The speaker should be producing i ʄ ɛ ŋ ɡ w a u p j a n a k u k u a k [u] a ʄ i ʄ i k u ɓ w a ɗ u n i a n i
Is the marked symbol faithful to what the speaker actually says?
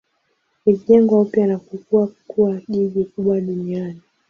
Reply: yes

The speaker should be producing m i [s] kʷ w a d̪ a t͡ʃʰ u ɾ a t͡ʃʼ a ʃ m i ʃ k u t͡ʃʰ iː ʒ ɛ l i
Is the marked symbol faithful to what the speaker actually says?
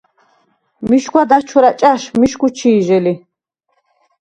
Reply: no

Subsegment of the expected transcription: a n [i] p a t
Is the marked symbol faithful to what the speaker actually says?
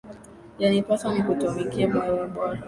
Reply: yes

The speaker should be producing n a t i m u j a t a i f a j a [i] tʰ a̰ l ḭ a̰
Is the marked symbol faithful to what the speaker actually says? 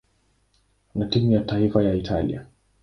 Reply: yes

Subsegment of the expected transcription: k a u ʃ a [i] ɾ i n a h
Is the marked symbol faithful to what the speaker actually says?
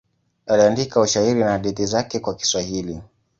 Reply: yes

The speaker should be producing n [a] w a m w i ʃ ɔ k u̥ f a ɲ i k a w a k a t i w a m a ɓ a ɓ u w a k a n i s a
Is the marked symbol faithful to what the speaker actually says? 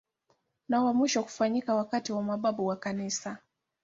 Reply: yes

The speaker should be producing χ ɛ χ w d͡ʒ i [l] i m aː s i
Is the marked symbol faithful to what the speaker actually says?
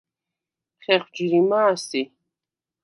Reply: no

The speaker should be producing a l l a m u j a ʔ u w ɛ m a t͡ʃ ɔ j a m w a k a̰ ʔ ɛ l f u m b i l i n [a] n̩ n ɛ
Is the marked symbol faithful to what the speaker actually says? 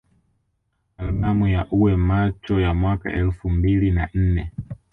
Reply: yes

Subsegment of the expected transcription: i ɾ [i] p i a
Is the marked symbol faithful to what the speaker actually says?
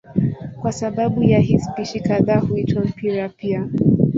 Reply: no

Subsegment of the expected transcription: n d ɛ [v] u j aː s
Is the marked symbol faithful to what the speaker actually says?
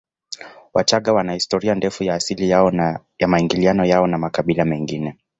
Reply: no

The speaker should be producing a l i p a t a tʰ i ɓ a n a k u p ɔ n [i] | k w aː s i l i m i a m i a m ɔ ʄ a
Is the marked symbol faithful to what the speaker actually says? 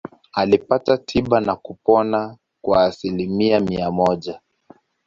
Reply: no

